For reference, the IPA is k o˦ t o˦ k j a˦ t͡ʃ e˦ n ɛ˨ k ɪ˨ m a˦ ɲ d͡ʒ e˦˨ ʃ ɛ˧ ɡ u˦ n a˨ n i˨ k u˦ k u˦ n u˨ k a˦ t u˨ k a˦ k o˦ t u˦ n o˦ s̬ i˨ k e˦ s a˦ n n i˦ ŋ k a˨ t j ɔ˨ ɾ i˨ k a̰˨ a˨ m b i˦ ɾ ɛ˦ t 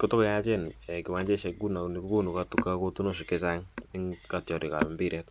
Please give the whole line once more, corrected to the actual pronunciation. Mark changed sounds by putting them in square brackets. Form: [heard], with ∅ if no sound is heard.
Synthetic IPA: k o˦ t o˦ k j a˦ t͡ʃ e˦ n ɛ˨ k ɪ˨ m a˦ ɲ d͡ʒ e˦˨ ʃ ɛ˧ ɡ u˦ n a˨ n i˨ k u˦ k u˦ n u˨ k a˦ t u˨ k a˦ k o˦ t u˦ n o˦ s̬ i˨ k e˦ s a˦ [ŋ] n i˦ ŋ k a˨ t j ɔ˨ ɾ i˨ k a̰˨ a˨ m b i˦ ɾ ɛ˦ t